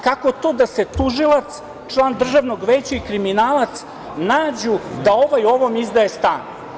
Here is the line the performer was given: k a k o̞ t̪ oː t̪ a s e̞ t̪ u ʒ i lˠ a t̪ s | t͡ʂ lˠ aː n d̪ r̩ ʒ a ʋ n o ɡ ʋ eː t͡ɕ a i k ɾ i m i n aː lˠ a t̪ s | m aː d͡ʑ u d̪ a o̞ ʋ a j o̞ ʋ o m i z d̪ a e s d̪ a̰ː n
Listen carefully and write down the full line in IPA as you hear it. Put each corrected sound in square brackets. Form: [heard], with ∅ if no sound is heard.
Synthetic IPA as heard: k a k o̞ t̪ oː [d̪] a s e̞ t̪ u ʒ i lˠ a t̪ s | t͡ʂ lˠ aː n d̪ r̩ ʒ a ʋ n o ɡ ʋ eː t͡ɕ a i k ɾ i m i n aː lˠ a t̪ s | [n] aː d͡ʑ u d̪ a o̞ ʋ a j o̞ ʋ o m i z d̪ a e s [t̪] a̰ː n